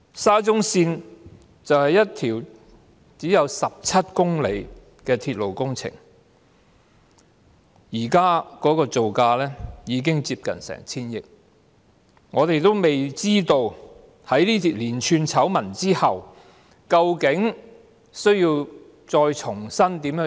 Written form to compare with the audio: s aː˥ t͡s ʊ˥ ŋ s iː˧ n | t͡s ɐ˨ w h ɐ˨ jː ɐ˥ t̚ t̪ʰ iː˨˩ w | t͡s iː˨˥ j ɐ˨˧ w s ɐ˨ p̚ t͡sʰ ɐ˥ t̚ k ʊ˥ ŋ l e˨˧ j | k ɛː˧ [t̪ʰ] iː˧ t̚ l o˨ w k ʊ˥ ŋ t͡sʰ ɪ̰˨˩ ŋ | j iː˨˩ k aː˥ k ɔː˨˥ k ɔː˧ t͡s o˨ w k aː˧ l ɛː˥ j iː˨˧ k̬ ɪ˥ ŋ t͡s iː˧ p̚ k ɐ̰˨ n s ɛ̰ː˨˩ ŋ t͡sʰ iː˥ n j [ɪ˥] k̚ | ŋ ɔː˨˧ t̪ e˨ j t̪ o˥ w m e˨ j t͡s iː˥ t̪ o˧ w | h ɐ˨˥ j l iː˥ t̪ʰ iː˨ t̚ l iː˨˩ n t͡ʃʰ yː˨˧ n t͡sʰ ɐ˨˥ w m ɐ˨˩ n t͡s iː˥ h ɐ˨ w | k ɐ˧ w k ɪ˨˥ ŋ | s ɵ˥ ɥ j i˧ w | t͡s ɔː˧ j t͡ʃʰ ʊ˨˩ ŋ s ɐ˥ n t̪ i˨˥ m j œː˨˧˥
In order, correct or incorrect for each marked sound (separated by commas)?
correct, incorrect